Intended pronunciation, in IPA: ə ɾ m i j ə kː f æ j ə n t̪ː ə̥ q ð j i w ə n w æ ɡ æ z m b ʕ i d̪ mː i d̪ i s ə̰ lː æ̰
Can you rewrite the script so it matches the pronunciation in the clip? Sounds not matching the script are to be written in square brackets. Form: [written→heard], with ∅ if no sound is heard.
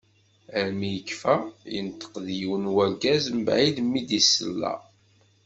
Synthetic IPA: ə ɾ m i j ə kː f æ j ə n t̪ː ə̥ q ð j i w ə n w æ ɡ æ z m b ʕ i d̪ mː i d̪ i s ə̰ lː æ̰